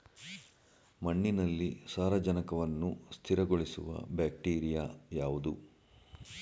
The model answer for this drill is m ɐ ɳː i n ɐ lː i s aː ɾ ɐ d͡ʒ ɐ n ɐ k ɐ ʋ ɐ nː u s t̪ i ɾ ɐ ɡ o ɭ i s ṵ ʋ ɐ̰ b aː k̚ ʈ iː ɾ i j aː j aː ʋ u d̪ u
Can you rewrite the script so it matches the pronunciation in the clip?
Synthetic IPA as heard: m ɐ ɳː i n ɐ lː i s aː ɾ ɐ d͡ʒ ɐ n ɐ k ɐ ʋ ɐ nː u s t̪ʰ i ɾ ɐ ɡ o ɭ i s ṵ ʋ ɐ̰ b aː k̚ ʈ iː ɾ i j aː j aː ʋ u d̪ u